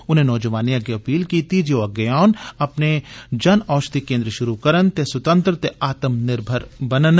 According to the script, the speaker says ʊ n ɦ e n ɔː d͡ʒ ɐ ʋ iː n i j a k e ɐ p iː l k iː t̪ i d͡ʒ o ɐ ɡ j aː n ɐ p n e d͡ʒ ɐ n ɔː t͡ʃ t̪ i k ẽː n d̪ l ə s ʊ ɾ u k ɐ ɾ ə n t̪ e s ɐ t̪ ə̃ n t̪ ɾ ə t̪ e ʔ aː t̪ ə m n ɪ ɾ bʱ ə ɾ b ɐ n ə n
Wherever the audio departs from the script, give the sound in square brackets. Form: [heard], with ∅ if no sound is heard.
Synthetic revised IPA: ʊ n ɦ e n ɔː d͡ʒ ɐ ʋ [aː] n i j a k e ɐ p iː l k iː t̪ i d͡ʒ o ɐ ɡ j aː n ɐ p n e d͡ʒ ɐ n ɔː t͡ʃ t̪ i k ẽː n d̪ [ɾ] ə [ʃ] ʊ ɾ u k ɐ ɾ ə n t̪ e s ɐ t̪ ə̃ n t̪ ɾ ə t̪ e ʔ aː t̪ ə m n ɪ ɾ bʱ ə ɾ b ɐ n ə n